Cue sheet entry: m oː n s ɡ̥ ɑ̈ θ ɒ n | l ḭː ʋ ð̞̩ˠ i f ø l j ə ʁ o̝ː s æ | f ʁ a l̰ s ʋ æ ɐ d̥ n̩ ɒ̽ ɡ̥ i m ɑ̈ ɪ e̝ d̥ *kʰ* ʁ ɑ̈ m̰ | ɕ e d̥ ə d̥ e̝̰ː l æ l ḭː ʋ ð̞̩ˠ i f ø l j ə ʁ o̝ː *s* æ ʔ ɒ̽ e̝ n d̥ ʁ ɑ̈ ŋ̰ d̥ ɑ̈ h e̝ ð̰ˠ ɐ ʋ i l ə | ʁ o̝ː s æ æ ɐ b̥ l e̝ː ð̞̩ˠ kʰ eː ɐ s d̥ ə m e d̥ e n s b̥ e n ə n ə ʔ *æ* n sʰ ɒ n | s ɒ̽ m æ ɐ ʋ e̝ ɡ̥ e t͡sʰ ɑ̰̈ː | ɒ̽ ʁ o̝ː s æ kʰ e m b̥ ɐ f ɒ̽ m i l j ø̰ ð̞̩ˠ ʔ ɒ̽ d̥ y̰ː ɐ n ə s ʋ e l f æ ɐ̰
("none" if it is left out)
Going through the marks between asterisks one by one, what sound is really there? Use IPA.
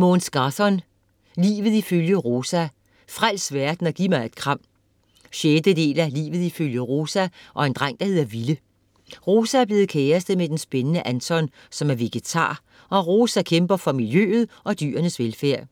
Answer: kʰ, s, æ

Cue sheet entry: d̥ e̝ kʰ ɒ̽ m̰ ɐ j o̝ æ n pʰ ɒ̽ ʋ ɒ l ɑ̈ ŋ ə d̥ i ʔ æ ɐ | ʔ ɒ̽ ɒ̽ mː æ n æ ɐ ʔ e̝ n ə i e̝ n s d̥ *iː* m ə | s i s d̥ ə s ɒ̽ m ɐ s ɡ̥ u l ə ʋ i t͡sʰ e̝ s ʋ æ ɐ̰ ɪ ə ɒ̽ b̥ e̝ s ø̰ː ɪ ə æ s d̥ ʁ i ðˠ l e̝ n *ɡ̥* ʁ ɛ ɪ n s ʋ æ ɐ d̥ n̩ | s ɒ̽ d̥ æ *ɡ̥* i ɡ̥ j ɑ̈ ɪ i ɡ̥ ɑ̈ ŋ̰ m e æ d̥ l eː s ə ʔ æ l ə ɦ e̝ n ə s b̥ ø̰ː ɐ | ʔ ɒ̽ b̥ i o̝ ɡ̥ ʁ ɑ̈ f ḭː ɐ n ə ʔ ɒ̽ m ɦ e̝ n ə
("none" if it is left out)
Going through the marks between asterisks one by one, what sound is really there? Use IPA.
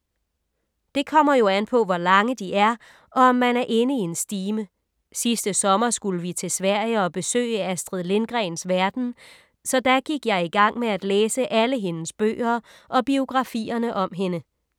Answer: iː, ɡ̥, ɡ̥

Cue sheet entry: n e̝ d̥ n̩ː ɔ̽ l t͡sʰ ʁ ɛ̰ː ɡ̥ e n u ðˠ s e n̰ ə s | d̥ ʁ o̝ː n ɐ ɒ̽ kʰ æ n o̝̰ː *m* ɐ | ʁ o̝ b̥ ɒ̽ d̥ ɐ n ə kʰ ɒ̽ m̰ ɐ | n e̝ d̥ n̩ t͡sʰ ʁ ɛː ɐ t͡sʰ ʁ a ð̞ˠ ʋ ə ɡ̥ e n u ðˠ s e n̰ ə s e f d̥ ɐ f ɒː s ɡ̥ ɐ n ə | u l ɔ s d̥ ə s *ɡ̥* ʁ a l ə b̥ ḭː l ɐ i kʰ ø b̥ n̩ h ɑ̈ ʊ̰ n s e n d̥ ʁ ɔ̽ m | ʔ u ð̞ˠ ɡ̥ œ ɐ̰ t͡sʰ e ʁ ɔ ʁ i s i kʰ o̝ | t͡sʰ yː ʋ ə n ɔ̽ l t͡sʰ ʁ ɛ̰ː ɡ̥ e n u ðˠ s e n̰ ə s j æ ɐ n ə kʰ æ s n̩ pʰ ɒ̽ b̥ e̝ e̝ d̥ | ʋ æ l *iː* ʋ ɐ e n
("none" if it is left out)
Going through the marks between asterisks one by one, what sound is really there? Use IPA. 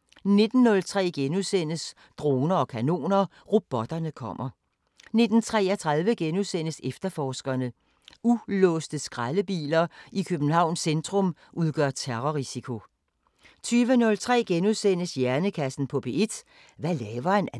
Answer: n, ɡ̥, ɛː

